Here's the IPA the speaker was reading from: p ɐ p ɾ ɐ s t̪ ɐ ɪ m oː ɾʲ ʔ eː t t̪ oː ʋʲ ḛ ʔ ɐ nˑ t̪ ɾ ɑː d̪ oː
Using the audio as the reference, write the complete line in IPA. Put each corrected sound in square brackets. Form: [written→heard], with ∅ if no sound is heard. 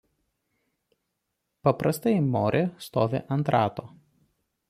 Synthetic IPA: p ɐ p ɾ ɐ s t̪ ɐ ɪ m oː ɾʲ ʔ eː [t→s] t̪ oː ʋʲ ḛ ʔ ɐ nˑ t̪ ɾ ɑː [d̪→t̪] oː